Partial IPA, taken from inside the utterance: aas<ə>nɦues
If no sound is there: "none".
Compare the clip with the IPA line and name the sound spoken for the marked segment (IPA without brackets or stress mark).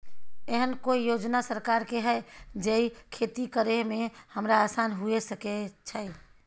a